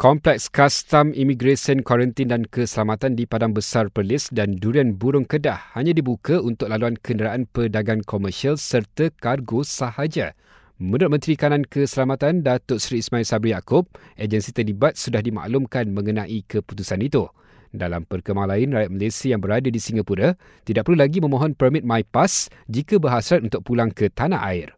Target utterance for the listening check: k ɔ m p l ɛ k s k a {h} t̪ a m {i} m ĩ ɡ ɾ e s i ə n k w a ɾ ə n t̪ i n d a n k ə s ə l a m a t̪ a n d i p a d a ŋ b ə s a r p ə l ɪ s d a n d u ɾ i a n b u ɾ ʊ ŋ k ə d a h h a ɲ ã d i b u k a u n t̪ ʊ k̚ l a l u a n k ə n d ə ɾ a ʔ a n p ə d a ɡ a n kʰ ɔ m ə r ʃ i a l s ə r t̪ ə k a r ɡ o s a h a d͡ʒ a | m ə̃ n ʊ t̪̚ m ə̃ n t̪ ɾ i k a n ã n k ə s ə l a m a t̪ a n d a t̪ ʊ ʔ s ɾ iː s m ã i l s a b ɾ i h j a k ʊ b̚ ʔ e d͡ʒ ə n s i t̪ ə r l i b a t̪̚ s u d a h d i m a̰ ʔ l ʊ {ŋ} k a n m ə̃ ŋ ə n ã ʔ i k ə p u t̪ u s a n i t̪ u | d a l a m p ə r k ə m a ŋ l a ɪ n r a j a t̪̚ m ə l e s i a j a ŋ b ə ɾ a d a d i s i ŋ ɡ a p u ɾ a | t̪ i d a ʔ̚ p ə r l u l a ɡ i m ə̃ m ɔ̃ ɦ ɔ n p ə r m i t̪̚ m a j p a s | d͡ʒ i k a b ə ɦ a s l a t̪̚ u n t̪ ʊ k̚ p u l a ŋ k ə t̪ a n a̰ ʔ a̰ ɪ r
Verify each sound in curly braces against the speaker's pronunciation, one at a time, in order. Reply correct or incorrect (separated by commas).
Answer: incorrect, correct, incorrect